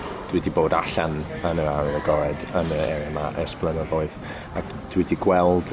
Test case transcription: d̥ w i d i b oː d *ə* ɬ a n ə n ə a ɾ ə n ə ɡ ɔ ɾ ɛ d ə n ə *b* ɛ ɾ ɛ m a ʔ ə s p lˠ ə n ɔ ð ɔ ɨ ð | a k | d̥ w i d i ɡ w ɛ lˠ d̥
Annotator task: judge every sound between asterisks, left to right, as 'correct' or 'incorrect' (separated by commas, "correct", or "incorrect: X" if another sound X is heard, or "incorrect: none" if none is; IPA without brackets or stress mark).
incorrect: a, incorrect: none